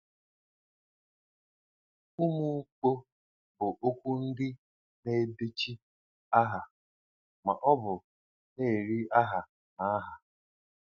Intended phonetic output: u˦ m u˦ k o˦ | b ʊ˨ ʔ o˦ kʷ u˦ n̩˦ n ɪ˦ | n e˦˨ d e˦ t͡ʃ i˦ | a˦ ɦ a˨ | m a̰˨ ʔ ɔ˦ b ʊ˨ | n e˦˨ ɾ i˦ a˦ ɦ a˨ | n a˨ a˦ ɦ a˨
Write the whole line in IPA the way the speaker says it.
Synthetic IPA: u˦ m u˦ k͡p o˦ | b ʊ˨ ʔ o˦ kʷ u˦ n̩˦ d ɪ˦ | n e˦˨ d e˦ t͡ʃ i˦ | a˦ ɦ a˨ | m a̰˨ ʔ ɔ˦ b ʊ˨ | n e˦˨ ɾ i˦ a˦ ɦ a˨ | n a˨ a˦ ɦ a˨

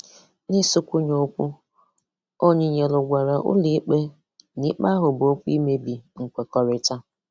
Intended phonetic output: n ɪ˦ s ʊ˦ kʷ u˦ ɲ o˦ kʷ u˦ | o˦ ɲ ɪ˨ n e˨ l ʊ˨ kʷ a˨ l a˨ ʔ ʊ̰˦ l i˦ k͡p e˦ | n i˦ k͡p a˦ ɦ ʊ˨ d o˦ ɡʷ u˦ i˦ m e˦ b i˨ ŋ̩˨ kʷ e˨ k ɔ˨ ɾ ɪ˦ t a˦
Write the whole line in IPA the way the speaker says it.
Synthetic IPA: n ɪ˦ s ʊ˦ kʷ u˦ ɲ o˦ kʷ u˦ | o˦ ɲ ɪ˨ ɲ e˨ l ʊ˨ ɡʷ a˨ ɾ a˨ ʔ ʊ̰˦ l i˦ k͡p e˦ | n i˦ k͡p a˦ ɦ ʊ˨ b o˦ kʷ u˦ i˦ m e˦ b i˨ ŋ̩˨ kʷ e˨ k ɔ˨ ɾ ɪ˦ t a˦

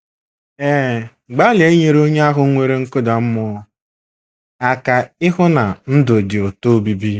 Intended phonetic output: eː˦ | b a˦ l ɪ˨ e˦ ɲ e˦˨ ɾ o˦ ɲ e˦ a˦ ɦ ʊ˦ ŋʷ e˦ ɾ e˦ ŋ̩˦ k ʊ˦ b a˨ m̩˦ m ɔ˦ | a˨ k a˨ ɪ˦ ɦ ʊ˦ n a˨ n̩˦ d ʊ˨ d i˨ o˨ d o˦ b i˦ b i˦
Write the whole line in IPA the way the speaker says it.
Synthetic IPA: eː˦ | ɡ͡b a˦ l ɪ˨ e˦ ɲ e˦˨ ɾ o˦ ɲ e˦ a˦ ɦ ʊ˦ ŋʷ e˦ ɾ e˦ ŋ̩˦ k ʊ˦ d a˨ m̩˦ m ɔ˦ | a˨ k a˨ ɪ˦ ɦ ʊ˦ n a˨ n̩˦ d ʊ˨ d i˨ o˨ t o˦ b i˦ b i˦

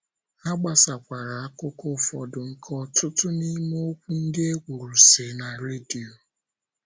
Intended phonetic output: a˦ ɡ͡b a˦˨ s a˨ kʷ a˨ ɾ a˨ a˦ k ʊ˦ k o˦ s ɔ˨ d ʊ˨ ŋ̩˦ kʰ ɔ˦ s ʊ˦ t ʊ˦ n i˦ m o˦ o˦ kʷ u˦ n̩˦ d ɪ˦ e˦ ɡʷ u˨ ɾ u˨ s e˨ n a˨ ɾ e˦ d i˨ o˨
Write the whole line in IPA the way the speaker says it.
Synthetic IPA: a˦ ɡ͡b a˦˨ s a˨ kʷ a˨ ɾ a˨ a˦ k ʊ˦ k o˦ f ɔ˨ d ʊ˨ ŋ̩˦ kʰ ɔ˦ t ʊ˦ t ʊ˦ n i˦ m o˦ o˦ kʷ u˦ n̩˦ d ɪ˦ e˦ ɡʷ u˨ ɾ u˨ s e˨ n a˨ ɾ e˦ d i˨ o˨

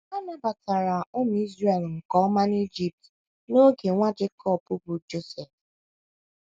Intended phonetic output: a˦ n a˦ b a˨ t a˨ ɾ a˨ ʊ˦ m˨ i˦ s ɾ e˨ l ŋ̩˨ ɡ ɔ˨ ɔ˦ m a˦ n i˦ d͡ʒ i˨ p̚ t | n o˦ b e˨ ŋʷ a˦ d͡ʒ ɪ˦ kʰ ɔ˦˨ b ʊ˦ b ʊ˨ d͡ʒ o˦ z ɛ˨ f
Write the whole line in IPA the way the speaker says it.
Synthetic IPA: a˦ n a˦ b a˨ t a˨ ɾ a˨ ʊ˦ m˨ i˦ z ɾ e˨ l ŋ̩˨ k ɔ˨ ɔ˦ m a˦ n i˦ d͡ʒ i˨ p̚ t | n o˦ ɡ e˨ ŋʷ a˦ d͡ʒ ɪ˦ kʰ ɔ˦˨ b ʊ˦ b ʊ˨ d͡ʒ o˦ s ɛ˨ f

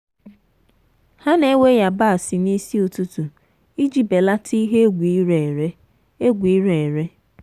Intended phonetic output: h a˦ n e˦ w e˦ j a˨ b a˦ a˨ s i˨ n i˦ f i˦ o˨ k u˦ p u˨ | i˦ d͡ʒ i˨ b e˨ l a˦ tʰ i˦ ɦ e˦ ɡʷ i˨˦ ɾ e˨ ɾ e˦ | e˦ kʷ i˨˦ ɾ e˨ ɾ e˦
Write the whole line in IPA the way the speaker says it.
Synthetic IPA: h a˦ n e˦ w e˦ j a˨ b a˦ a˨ s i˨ n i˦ s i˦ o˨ t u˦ t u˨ | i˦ d͡ʒ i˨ b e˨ l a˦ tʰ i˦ ɦ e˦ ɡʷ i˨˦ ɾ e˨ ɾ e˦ | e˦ ɡʷ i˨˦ ɾ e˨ ɾ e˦

